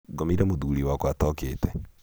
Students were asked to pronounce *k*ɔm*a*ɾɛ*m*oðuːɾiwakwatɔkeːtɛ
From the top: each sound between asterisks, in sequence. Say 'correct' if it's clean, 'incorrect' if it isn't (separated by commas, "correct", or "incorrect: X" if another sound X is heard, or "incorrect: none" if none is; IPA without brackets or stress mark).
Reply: incorrect: ɡ, incorrect: i, correct